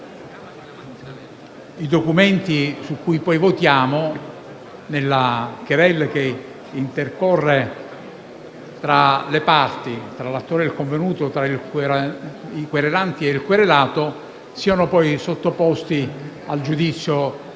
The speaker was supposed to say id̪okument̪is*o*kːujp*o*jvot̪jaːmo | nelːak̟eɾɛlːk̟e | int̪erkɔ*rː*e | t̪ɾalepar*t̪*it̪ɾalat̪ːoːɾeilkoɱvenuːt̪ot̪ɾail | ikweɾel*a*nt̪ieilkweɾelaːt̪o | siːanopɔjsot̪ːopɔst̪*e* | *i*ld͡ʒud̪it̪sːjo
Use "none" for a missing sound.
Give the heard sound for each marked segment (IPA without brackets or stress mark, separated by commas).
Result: u, ɔ, rː, t̪, a, i, a